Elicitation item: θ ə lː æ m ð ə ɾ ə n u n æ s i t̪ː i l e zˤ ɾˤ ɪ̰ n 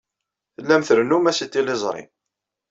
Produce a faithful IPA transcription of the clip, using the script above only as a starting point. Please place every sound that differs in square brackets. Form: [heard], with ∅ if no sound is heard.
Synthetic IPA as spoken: θ ə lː æ m [θ] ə ɾ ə n u [m] æ s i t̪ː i l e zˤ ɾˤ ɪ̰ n

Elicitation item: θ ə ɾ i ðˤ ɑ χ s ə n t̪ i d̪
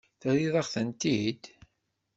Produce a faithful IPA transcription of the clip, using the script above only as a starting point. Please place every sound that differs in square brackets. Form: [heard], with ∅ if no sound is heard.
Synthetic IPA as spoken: θ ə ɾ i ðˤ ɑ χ [θ] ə n t̪ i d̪

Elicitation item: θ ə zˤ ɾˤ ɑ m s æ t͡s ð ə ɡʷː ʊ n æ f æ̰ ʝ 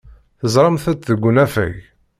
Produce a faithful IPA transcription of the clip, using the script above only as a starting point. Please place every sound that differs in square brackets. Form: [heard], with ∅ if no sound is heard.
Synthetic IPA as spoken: θ ə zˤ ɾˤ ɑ m [θ] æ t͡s ð ə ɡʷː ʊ n æ f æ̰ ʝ

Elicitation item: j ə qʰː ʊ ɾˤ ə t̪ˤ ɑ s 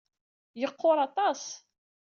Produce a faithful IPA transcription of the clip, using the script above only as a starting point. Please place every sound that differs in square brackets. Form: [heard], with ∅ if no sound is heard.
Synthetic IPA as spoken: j ə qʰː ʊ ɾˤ [ɑ] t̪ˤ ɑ s

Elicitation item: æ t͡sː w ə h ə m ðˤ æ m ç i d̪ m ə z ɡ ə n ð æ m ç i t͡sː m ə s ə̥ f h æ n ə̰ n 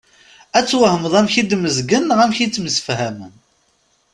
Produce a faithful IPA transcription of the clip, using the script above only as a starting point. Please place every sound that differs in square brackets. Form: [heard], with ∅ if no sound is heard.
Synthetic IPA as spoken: æ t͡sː w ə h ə m ðˤ æ m ç i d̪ m ə z ɡ ə n [ʁ] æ m ç i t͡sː m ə s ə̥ f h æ [m] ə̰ n

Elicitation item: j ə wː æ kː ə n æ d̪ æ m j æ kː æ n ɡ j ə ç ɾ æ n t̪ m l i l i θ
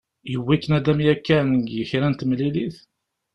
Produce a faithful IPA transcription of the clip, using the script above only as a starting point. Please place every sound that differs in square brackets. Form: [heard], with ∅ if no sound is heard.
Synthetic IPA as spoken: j ə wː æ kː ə n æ d̪ æ m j æ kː æ n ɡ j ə ç ɾ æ n t̪ m l i l i θ

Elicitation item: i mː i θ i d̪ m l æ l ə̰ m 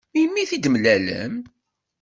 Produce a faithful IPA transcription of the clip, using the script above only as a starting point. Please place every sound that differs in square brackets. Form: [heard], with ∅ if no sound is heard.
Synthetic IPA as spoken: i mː i θ i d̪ m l æ l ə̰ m

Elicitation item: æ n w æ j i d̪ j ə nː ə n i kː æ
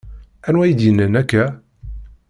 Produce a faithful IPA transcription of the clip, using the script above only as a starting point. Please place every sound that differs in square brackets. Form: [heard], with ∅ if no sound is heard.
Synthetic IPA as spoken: æ n w æ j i d̪ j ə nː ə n [æ] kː æ

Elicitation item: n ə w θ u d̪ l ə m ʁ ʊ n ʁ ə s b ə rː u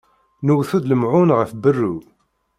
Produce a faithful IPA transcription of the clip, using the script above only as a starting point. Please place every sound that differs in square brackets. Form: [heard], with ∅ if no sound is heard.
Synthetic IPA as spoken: n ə w θ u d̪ l ə m [ʕ] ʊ n ʁ ə [f] b ə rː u

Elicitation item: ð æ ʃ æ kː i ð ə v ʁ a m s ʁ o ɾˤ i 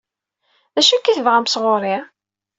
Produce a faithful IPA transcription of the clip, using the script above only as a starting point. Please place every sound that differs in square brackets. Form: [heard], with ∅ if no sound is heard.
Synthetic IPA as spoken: ð æ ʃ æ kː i [θ] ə v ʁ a m s ʁ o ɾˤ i

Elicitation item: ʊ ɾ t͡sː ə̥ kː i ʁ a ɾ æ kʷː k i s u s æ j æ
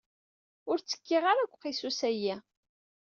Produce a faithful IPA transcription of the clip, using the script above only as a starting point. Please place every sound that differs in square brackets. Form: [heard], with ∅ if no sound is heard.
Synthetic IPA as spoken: ʊ ɾ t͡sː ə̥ kː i ʁ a ɾ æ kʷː [q] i s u s æ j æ

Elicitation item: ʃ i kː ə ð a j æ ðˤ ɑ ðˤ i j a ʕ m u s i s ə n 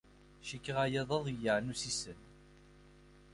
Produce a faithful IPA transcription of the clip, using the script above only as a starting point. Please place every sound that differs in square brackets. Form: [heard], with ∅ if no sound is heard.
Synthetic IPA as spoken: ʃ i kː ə [ʁ] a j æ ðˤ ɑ ðˤ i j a ʕ [n] u s i s ə n

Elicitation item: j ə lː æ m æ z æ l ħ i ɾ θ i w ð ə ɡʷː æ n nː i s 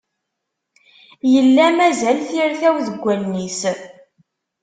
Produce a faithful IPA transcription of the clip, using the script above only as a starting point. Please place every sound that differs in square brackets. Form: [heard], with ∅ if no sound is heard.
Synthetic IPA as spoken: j ə lː æ m æ z æ l [θ] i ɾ θ [æ] w ð ə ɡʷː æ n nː i s

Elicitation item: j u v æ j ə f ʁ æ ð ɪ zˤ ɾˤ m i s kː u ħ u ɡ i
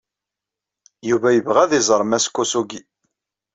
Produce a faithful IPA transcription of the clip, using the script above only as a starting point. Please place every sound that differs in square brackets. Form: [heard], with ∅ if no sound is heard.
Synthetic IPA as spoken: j u v æ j ə [v] ʁ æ ð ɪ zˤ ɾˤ m [æ] s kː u [s] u ɡ i

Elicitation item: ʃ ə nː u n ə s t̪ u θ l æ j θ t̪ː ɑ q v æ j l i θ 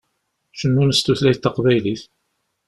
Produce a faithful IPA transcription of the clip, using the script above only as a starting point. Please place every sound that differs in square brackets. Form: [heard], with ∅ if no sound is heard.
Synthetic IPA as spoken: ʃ ə nː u n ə s t̪ u θ l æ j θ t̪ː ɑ q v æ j l i θ

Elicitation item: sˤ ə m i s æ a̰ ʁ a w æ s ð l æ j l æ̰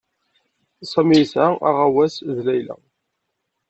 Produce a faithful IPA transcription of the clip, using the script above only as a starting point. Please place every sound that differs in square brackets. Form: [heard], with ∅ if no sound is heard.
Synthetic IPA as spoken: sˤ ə m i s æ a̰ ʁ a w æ s ð l æ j l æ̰

